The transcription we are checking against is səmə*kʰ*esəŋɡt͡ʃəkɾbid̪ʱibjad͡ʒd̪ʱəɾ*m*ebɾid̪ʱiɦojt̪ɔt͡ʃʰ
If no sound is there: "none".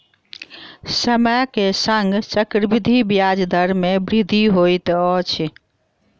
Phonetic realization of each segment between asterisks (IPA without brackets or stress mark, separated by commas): k, m